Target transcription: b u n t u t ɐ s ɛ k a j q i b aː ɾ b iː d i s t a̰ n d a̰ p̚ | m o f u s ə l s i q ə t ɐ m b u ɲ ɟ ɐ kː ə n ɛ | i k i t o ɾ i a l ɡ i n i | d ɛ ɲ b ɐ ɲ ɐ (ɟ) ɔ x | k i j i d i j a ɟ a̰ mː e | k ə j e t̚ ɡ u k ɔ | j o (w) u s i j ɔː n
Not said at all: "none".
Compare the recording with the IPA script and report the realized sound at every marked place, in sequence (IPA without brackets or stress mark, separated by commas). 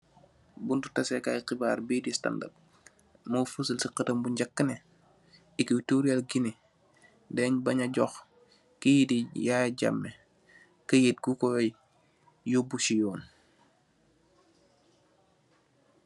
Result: ɟ, b